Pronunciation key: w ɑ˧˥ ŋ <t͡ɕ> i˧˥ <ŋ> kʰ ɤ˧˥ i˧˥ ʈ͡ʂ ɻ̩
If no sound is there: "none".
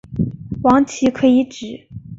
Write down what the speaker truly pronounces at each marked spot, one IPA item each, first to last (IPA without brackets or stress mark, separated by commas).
t͡ɕʰ, none